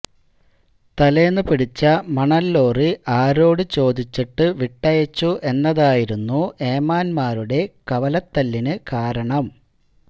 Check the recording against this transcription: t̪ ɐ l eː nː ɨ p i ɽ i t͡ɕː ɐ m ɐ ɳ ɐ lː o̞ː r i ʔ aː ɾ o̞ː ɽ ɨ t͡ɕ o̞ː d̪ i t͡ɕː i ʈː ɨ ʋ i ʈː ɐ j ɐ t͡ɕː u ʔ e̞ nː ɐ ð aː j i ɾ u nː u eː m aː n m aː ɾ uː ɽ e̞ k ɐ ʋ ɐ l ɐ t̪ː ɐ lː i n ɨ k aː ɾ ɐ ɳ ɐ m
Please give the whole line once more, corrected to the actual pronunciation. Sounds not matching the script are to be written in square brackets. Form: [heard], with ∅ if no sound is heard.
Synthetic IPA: t̪ ɐ l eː nː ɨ p i ɽ i t͡ɕː ɐ m ɐ ɳ ɐ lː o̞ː r i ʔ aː ɾ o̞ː ɽ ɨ t͡ɕ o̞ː d̪ i t͡ɕː i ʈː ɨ ʋ i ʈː ɐ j ɐ t͡ɕː u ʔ e̞ nː ɐ ð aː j i ɾ u nː u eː m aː n m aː ɾ [u] ɽ e̞ k ɐ ʋ ɐ l ɐ t̪ː ɐ lː i n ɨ k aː ɾ ɐ ɳ ɐ m